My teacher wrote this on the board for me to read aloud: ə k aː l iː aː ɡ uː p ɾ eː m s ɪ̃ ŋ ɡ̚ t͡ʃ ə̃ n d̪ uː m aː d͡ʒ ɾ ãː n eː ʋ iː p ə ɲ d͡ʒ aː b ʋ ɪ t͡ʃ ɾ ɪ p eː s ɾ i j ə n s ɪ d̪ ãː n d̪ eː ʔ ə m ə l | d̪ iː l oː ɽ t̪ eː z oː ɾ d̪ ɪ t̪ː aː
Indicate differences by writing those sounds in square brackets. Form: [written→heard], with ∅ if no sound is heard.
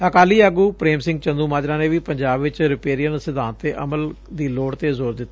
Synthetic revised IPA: ə k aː l iː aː ɡ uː p ɾ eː m s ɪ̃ ŋ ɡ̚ t͡ʃ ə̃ n d̪ uː m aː d͡ʒ ɾ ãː n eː ʋ iː p ə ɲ d͡ʒ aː b ʋ ɪ t͡ʃ ɾ ɪ p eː [s→∅] ɾ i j ə n s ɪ d̪ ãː n [d̪→t̪] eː ʔ ə m ə l | d̪ iː l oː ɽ t̪ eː z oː ɾ d̪ ɪ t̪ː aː